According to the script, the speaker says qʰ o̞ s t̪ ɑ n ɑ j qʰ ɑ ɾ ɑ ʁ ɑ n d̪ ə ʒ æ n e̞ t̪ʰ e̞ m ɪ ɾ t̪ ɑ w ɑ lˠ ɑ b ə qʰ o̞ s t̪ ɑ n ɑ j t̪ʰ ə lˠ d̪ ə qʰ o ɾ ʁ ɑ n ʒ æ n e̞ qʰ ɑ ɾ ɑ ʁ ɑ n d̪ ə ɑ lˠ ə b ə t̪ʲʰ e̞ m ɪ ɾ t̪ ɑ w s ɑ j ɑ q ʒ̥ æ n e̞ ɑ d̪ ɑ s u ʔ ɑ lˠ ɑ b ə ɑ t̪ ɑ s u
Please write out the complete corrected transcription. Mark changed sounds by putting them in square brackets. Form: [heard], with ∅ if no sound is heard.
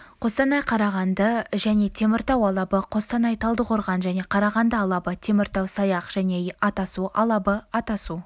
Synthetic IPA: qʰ o̞ s t̪ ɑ n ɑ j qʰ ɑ ɾ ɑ ʁ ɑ n d̪ ə ʒ æ n e̞ t̪ʰ e̞ m ɪ ɾ t̪ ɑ w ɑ lˠ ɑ b ə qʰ o̞ s t̪ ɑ n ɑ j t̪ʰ [ɑ] lˠ d̪ ə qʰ o ɾ ʁ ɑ n ʒ æ n e̞ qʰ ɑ ɾ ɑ ʁ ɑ n d̪ ə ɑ lˠ [ɑ] b ə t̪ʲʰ e̞ m ɪ ɾ t̪ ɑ w s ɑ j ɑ q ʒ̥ æ n e̞ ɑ [t̪] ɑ s u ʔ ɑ lˠ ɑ b ə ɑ t̪ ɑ s u